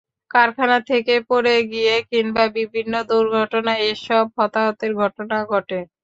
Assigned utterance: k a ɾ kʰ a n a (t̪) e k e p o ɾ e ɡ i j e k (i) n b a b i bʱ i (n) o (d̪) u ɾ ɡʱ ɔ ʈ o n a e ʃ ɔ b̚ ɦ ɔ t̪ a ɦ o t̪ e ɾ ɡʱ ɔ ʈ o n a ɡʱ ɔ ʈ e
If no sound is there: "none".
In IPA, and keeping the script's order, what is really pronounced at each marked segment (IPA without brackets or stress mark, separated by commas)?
t̪ʰ, i, nː, d̪